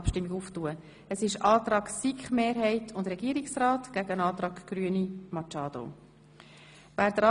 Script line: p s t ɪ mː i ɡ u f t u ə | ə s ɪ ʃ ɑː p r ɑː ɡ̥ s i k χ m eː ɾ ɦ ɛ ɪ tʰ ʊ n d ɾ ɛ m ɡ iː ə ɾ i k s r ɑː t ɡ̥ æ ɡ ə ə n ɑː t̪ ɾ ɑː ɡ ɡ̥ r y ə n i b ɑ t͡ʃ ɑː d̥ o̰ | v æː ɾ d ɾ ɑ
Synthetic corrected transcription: p ʃ t ɪ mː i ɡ u f t u ə | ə s ɪ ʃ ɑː t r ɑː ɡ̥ s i k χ m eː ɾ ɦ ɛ ɪ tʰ ʊ n d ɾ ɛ ɡ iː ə ɾ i k s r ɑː t ɡ̥ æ ɡ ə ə n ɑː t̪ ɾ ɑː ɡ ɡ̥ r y ə n i m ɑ t͡ʃ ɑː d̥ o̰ | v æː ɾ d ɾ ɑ